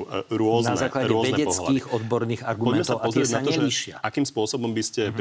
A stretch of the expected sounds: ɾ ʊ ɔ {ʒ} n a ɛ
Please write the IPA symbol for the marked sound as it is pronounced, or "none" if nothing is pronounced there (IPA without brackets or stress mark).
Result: z